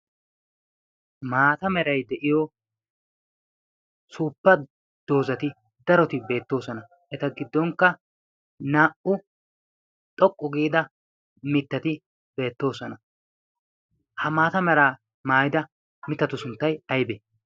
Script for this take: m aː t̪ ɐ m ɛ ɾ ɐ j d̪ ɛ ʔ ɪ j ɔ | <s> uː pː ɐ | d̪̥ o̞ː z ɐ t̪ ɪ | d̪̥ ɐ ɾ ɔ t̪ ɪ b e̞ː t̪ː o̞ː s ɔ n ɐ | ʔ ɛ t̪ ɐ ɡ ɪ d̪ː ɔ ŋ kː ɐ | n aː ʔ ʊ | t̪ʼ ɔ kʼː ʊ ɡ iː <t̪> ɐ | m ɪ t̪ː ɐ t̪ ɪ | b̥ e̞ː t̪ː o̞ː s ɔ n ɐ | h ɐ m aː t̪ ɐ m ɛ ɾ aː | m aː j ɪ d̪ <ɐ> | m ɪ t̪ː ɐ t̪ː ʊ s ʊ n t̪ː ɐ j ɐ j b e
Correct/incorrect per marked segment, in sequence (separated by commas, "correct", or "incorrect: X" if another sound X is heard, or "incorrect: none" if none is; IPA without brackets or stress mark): correct, incorrect: d̪, correct